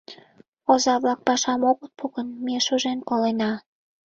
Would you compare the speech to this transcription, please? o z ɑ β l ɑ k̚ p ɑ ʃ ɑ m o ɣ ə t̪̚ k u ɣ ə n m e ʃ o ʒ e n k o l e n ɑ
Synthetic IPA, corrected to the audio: o z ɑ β l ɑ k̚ p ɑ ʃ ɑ m o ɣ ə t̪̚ p u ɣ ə n m e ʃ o ʒ e n k o l e n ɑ

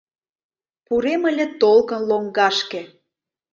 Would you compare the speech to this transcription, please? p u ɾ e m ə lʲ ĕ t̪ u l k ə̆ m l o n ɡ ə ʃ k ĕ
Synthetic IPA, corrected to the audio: p u ɾ e m ə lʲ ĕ t̪ o l k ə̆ n l o ŋ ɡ ɑ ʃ k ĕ

